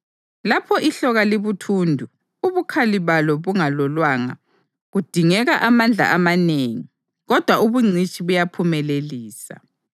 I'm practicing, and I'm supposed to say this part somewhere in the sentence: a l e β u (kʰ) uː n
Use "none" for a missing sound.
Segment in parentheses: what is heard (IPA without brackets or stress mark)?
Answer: tʰ